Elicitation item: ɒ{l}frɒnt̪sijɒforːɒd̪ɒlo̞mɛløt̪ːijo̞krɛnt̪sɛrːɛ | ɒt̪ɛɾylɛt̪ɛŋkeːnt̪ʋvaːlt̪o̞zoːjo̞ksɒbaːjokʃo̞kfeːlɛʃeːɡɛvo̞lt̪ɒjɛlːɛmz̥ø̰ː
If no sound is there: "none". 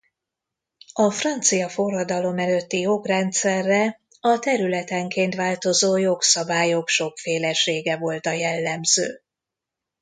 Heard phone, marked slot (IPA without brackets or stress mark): none